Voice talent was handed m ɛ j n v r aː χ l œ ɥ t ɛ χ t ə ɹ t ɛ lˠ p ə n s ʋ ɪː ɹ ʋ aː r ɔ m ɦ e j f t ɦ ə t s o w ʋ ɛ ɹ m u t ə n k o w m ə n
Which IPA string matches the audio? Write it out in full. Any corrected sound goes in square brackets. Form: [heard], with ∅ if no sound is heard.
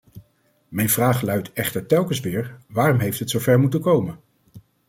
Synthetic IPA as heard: m ɛ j n v r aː χ l œ ɥ t ɛ χ t ə ɹ t ɛ lˠ [k] ə n s ʋ ɪː ɹ ʋ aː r ɔ m ɦ e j f t ɦ ə t s o w [v] ɛ ɹ m u t ə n k o w m ə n